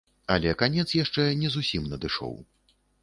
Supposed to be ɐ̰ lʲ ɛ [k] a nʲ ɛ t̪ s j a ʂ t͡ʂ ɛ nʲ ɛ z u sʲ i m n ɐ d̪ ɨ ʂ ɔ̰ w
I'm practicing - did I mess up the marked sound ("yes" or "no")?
no